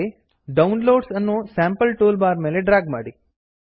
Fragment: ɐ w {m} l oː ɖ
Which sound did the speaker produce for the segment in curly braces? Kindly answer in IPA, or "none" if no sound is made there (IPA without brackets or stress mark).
n